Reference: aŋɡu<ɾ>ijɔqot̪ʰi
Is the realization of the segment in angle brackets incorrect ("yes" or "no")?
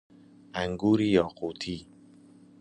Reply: no